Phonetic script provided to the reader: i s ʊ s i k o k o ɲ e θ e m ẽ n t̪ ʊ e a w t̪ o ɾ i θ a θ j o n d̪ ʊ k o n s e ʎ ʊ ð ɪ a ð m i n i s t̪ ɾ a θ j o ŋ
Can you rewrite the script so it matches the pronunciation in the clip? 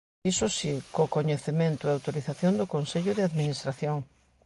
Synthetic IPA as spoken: i s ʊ s i k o k o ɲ e θ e m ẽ n t̪ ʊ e a w t̪ o ɾ i θ a θ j o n d̪ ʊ k o n s e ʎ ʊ ð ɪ a ð m i n i s t̪ ɾ a θ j o ŋ